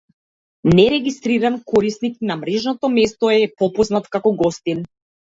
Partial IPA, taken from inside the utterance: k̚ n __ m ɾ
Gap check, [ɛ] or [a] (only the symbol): a